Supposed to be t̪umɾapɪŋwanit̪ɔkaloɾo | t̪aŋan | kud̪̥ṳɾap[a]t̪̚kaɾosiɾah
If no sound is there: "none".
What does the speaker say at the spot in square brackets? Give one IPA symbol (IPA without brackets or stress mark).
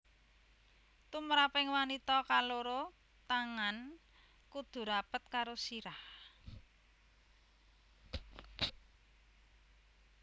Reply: ə